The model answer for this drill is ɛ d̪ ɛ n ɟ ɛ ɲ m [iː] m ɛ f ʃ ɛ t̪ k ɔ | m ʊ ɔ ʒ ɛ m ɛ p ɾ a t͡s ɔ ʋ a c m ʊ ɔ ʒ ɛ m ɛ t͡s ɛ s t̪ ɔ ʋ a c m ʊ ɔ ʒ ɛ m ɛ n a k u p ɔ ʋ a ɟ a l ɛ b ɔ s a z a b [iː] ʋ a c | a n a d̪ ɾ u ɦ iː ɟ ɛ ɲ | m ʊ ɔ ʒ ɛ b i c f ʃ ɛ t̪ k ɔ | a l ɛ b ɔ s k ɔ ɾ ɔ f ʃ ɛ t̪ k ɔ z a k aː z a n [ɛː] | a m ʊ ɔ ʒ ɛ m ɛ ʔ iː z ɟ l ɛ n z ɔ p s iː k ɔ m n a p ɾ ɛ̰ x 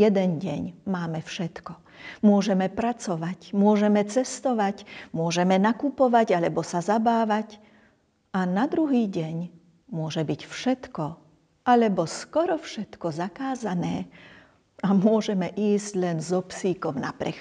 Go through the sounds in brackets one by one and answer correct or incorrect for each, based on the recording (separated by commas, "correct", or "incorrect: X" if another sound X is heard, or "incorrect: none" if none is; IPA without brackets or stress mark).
incorrect: aː, incorrect: aː, correct